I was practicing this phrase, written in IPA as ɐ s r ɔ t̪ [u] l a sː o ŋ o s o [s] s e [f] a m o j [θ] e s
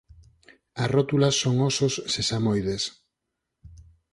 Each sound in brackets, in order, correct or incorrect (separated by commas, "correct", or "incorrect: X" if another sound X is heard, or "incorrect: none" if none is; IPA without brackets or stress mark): correct, correct, incorrect: s, incorrect: ð